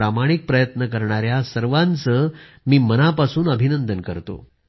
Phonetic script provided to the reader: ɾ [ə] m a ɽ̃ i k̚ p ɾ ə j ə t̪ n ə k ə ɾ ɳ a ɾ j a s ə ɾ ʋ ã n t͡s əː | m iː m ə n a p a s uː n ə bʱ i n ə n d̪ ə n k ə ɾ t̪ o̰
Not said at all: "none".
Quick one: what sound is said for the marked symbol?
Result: a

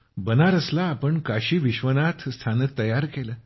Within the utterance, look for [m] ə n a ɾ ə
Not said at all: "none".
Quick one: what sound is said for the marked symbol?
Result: b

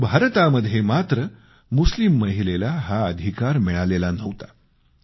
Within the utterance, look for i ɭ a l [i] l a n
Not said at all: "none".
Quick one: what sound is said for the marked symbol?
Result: e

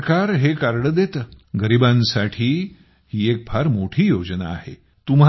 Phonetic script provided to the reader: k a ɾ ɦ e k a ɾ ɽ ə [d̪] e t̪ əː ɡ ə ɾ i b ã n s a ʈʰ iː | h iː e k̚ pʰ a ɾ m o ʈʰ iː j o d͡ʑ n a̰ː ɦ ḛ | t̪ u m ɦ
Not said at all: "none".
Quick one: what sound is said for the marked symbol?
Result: d̪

